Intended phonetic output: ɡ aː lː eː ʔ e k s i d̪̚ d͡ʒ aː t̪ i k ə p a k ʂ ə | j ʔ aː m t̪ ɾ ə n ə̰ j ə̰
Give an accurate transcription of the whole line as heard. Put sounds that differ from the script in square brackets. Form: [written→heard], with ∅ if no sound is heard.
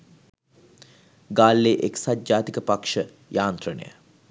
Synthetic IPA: ɡ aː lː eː ʔ e k s [i→a] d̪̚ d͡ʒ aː t̪ i k ə p a k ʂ ə | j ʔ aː [m→n] t̪ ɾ ə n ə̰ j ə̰